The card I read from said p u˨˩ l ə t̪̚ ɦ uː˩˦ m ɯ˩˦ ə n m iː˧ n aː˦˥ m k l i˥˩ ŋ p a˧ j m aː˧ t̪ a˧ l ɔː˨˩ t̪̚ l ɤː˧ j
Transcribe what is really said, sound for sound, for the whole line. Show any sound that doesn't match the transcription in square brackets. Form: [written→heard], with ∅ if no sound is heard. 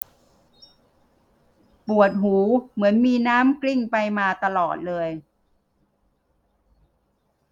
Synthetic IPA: p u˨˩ [l→∅] ə t̪̚ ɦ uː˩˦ m ɯ˩˦ ə n m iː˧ n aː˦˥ m k l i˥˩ ŋ p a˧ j m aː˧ t̪ a˧ l ɔː˨˩ t̪̚ l ɤː˧ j